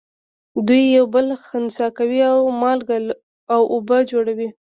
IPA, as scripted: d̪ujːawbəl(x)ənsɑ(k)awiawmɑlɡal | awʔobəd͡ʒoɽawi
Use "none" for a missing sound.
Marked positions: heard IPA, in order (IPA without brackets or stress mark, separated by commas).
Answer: x, k